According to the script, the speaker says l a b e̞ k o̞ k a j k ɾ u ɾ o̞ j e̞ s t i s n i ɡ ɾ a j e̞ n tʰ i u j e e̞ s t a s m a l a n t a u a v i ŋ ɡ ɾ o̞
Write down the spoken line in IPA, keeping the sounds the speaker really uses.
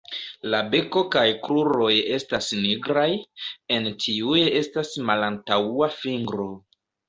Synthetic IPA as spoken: l a b e̞ k o̞ k a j k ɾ u ɾ o̞ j e̞ s t a s n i ɡ ɾ a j e̞ n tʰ i u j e e̞ s t a s m a l a n t a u a f i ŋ ɡ ɾ o̞